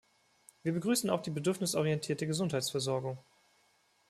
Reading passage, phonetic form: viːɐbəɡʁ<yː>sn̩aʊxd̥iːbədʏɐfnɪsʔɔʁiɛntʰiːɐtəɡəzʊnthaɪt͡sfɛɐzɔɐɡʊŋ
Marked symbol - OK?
yes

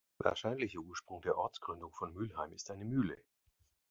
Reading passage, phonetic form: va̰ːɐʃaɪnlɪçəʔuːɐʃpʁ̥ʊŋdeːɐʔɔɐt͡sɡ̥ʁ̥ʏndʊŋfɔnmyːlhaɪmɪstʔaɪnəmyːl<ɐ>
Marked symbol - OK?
no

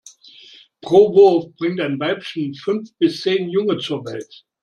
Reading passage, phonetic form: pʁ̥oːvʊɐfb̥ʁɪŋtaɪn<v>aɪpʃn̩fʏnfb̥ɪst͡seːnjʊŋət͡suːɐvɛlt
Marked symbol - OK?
yes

